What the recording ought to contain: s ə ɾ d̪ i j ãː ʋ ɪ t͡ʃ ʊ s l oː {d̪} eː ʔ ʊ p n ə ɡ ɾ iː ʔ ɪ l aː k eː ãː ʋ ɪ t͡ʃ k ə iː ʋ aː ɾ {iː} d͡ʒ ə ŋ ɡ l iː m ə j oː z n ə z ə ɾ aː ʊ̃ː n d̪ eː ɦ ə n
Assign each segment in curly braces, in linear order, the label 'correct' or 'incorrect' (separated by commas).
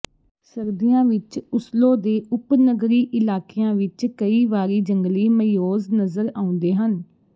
correct, correct